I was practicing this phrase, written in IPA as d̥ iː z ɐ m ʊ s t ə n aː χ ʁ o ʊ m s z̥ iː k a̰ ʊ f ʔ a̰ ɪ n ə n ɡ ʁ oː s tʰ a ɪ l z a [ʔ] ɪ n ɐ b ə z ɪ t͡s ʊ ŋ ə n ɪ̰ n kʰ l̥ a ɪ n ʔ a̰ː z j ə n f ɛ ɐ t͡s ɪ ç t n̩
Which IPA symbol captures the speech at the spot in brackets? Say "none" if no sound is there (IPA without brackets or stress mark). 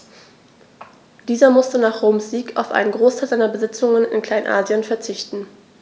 none